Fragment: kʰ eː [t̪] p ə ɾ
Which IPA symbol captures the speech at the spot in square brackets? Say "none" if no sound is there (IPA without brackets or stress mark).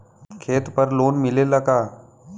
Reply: t̪